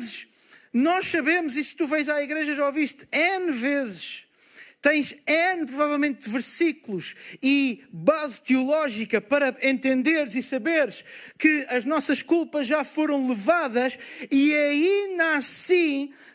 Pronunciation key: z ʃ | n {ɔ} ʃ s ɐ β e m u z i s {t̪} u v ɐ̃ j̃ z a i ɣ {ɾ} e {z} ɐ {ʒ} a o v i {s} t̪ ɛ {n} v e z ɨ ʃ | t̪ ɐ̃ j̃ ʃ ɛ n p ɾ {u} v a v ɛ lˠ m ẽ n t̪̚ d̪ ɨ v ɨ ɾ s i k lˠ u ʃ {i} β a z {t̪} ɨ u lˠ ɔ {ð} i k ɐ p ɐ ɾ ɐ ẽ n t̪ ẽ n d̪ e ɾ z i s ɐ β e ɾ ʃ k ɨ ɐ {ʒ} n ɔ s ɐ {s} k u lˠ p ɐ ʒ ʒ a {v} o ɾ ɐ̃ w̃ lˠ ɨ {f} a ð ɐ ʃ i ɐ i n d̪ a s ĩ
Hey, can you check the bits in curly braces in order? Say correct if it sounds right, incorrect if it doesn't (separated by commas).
correct, correct, correct, incorrect, correct, incorrect, correct, correct, correct, correct, incorrect, correct, incorrect, incorrect, incorrect